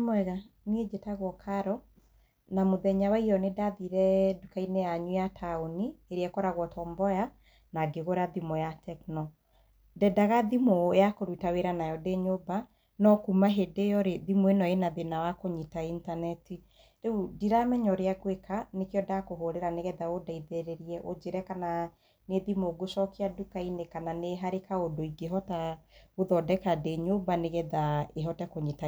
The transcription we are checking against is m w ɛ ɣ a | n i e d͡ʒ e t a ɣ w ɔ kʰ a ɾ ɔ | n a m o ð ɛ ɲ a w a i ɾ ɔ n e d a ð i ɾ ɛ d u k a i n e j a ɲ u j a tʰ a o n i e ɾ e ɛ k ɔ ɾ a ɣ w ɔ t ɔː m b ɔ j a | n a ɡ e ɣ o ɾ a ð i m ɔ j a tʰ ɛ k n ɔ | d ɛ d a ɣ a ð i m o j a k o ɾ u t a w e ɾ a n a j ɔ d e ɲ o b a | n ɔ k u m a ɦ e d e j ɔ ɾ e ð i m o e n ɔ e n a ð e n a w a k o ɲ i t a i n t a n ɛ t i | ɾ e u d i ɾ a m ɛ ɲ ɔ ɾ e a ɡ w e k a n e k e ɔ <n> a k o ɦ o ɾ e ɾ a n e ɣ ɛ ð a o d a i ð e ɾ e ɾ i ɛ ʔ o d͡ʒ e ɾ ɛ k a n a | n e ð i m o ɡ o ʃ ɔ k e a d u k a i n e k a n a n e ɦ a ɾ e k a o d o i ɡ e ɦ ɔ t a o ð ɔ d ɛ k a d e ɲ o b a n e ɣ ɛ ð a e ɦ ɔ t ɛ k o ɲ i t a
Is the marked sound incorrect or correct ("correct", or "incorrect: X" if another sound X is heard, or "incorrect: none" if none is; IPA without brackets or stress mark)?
incorrect: d